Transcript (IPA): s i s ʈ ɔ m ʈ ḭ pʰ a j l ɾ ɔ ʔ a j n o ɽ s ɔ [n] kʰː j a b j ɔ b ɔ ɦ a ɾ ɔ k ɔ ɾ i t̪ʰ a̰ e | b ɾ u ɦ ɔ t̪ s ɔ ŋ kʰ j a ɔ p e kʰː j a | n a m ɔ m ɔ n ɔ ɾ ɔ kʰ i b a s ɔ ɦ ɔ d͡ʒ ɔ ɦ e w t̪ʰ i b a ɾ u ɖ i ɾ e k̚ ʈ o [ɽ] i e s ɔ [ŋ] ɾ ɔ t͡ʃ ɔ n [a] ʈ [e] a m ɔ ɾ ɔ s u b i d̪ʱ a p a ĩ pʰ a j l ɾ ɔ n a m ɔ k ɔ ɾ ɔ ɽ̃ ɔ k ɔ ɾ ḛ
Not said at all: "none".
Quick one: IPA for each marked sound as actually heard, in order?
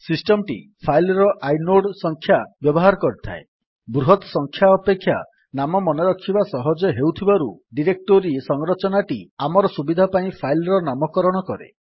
ŋ, ɾ, ŋ, a, i

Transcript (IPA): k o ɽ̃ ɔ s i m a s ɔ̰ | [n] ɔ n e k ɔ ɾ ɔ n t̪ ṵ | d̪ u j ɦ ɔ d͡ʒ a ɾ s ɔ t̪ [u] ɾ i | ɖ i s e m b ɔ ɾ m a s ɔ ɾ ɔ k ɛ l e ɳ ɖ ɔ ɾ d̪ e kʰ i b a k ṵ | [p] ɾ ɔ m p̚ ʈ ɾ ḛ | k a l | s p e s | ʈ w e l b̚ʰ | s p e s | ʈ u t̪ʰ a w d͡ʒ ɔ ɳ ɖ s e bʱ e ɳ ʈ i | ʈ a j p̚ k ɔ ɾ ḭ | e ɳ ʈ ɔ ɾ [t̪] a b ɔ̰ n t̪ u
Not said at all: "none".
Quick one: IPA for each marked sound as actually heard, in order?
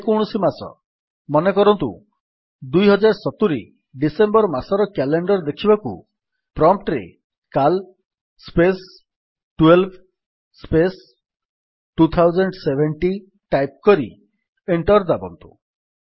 m, u, p, d̪

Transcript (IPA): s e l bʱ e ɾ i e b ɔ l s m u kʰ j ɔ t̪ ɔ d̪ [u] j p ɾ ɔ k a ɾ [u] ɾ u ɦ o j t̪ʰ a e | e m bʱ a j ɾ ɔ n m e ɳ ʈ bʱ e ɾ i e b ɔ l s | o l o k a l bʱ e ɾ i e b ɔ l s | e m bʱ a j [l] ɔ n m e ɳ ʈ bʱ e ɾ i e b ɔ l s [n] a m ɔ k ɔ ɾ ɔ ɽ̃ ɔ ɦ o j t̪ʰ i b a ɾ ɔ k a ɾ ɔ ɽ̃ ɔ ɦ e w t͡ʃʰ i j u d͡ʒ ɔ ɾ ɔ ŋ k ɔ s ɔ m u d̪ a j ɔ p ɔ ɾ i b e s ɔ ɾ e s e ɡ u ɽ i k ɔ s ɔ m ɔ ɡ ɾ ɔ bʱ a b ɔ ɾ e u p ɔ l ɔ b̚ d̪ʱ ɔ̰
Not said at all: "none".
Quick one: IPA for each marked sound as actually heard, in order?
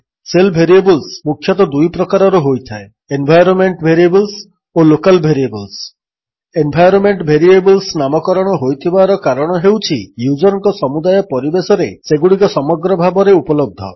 u, ɔ, ɾ, n

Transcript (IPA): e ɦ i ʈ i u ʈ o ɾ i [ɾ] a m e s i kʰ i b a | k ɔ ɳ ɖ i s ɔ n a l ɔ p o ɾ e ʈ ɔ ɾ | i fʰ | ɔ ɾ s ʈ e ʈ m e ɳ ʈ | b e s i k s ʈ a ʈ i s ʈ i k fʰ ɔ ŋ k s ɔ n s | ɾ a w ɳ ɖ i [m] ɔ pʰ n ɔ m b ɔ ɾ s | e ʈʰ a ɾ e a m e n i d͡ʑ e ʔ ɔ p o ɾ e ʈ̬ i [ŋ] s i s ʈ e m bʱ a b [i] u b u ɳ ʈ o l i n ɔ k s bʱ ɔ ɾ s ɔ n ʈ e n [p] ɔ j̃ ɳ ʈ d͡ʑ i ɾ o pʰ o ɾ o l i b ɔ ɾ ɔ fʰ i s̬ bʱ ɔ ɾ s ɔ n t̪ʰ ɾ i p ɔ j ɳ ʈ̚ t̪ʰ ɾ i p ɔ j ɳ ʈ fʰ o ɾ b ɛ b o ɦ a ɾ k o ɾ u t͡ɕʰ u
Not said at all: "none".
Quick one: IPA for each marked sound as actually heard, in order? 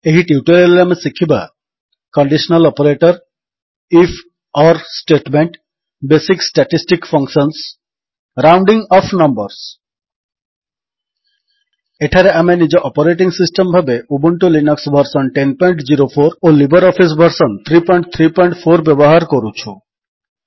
l, ŋ, ŋ, e, p

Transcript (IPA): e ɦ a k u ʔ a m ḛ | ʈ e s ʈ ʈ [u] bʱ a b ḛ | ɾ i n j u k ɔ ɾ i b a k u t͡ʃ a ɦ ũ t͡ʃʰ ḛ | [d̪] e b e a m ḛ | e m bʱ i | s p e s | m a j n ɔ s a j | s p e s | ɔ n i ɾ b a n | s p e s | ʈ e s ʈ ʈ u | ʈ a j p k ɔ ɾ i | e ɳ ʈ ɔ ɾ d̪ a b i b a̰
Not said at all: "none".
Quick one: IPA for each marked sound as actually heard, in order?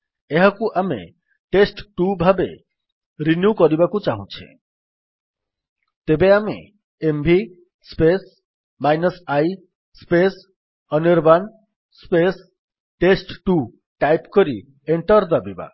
u, t̪

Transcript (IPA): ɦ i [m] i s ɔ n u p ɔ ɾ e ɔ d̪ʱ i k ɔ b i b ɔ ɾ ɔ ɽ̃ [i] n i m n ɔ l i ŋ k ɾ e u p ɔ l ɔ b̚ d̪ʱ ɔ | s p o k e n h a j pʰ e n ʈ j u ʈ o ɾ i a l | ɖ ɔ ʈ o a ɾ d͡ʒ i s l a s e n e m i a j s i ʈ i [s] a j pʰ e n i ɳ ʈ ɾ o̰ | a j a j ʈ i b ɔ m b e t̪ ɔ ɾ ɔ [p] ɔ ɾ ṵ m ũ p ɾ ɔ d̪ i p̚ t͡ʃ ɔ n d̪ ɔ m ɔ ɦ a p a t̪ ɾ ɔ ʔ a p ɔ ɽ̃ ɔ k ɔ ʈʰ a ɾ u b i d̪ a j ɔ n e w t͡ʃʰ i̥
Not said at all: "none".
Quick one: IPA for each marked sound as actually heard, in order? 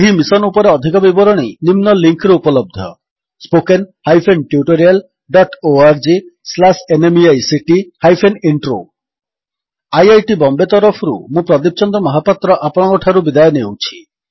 m, i, h, pʰ

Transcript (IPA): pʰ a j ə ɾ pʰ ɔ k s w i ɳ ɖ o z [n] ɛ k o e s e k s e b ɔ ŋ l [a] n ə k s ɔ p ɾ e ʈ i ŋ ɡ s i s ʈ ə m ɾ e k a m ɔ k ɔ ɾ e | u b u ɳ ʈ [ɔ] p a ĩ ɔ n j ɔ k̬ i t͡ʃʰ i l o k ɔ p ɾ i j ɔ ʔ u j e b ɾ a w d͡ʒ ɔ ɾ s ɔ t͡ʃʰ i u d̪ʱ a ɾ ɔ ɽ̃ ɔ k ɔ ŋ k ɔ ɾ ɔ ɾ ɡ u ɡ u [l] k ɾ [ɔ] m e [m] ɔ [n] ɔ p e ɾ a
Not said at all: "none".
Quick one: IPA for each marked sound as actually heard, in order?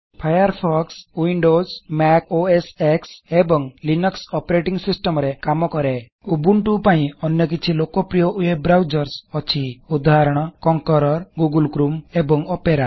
m, i, u, l, u, b, ŋ

